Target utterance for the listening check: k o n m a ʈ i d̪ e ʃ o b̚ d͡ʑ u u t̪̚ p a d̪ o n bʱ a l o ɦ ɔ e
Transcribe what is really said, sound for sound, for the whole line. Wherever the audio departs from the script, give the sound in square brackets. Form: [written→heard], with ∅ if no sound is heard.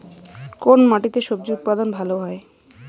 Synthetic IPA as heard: k o n m a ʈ i [d̪→t̪] e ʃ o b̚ d͡ʑ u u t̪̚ p a d̪ o n bʱ a l o ɦ ɔ e